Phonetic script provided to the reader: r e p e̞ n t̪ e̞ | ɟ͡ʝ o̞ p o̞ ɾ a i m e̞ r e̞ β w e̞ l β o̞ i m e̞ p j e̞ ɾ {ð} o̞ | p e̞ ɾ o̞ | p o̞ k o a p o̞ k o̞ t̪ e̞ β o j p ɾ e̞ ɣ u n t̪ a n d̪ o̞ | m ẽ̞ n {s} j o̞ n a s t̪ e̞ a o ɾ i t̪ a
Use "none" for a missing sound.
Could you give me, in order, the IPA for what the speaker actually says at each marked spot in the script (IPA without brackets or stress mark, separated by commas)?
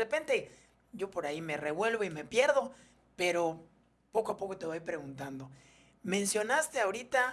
ð, s